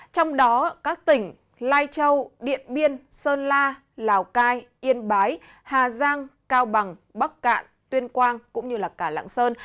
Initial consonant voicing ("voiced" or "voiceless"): voiceless